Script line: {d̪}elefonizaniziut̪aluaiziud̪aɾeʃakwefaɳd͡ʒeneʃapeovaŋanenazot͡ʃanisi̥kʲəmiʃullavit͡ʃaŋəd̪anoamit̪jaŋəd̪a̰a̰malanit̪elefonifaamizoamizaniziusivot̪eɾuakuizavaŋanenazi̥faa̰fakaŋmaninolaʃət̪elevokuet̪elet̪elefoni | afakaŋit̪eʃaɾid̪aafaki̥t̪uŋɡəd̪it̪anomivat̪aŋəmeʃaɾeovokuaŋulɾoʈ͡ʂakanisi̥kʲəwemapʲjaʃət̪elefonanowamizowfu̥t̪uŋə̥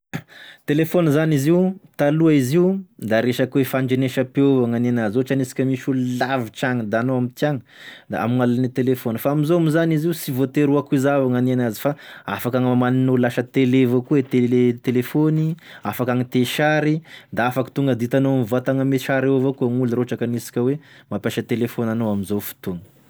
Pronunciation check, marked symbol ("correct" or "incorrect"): incorrect